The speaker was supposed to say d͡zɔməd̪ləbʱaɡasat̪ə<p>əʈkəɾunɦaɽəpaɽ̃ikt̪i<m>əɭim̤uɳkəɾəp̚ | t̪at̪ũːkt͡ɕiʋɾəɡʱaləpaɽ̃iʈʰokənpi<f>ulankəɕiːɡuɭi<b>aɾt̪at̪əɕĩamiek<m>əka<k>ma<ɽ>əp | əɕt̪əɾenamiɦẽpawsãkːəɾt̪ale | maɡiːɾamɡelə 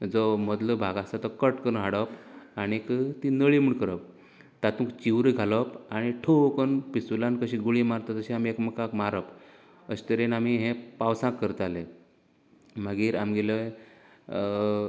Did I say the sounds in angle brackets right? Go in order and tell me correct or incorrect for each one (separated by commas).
incorrect, incorrect, incorrect, incorrect, correct, correct, incorrect